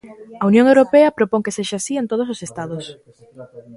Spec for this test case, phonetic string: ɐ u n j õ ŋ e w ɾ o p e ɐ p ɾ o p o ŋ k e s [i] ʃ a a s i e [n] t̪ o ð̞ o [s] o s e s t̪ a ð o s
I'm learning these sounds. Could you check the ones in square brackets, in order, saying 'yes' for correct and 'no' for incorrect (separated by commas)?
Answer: no, yes, yes